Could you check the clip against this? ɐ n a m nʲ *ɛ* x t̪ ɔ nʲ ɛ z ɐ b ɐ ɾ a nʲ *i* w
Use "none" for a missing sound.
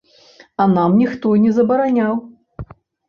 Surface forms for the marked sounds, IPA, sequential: i, a

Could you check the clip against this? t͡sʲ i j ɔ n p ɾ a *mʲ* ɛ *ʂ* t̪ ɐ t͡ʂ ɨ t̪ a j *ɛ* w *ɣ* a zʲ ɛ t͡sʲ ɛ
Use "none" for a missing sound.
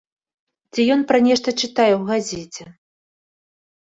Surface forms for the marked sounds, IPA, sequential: nʲ, ʂ, ɛ, ɣ

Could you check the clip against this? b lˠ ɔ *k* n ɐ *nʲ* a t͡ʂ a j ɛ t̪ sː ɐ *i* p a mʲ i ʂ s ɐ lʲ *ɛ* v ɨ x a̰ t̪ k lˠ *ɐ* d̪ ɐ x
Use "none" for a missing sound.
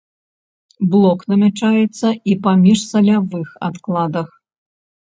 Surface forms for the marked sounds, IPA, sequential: k, mʲ, i, a, a

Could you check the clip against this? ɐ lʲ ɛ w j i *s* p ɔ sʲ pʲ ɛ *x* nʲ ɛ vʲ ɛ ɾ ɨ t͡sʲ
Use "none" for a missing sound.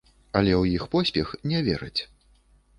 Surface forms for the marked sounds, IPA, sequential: x, x

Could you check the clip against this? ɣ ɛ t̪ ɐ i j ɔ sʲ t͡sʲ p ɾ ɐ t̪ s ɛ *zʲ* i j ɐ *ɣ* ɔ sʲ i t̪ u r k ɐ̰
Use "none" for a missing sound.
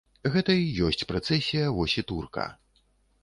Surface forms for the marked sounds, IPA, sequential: sʲ, v

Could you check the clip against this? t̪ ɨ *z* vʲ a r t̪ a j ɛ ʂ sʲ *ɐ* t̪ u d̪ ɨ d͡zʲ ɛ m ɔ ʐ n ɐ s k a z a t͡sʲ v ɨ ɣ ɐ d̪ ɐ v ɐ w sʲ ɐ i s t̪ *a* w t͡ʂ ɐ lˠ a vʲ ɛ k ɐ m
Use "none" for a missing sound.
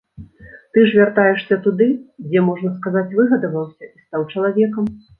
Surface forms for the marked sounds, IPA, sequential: ʐ, ɐ, a

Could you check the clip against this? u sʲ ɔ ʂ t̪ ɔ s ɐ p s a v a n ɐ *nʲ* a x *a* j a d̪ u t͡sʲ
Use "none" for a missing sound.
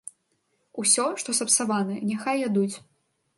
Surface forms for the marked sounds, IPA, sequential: nʲ, a

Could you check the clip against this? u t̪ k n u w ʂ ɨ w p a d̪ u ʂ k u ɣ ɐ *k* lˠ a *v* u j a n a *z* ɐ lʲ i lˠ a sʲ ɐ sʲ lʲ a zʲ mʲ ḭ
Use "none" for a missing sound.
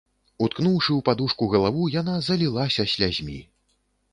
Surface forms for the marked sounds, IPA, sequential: none, v, z

